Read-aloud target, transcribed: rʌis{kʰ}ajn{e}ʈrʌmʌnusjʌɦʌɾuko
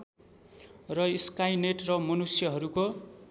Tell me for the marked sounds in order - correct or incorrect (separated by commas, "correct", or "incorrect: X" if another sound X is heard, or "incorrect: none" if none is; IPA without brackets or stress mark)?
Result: incorrect: k, correct